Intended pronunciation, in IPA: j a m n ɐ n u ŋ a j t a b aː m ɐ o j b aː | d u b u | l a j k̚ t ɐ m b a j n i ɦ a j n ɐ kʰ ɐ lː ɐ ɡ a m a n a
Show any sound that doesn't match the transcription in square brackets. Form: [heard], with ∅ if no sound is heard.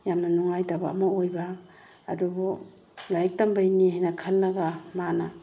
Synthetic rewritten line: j a m n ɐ n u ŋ a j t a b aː m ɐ o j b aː | d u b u | l a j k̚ t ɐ m b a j n i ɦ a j n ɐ kʰ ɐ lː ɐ ɡ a m a n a